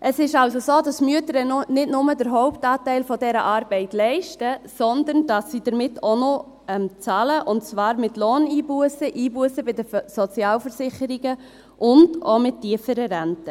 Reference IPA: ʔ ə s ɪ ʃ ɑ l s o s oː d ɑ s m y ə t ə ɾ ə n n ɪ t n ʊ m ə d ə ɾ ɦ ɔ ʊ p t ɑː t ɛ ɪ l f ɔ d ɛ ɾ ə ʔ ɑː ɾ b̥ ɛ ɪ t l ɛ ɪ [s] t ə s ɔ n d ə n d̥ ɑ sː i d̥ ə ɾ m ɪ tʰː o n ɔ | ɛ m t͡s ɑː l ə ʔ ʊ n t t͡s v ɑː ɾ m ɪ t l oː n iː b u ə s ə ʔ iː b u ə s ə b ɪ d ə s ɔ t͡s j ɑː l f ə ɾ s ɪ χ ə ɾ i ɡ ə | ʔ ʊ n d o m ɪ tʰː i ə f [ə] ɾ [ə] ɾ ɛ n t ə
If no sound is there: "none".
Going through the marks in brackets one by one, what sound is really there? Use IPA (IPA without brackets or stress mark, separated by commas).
ʃ, ə, ə